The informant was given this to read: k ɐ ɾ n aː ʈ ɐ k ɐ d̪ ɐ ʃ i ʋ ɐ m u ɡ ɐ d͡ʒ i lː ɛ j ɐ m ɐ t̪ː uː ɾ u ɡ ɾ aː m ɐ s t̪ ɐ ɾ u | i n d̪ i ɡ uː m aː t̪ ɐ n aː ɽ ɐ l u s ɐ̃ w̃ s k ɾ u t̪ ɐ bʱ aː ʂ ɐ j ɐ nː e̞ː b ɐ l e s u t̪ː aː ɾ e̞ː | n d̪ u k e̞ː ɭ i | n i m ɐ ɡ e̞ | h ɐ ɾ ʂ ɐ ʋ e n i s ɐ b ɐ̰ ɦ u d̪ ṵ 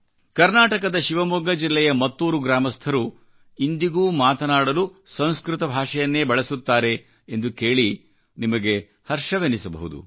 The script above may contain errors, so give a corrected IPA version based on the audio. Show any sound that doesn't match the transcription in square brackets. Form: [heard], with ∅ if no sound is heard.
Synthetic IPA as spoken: k ɐ ɾ n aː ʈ ɐ k ɐ d̪ ɐ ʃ i ʋ ɐ m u ɡ ɐ d͡ʒ i lː ɛ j ɐ m ɐ t̪ː uː ɾ u ɡ ɾ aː m ɐ s [t̪ʰ] ɐ ɾ u | i n d̪ i ɡ uː m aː t̪ ɐ n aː ɽ ɐ l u s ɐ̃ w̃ s k ɾ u t̪ ɐ bʱ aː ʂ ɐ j ɐ nː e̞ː b ɐ [ɭ] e s u t̪ː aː ɾ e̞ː | n d̪ u k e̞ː ɭ i | n i m ɐ ɡ e̞ | h ɐ ɾ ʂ ɐ ʋ e n i s ɐ b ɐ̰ ɦ u d̪ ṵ